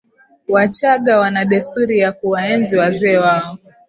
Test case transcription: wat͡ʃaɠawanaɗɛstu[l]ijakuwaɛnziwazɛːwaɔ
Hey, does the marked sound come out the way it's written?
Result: no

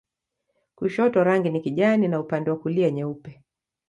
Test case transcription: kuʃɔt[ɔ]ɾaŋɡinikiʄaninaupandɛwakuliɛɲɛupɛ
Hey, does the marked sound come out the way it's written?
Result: yes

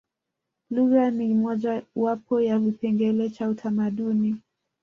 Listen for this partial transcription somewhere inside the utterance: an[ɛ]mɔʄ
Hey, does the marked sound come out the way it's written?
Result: no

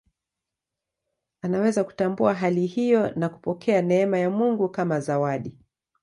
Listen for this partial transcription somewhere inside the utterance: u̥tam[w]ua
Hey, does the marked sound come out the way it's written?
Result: no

